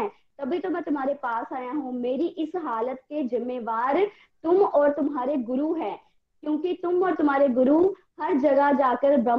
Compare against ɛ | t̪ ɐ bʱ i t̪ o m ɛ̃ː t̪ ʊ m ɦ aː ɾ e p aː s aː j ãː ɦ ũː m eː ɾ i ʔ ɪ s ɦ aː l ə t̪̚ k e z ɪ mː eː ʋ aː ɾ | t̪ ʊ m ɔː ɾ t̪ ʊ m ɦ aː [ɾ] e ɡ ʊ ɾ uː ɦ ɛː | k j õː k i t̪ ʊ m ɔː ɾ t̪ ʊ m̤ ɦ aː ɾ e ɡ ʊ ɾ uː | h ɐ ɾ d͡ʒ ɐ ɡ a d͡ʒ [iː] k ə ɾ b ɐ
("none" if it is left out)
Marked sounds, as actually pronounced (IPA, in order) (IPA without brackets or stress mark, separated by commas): ɾ, aː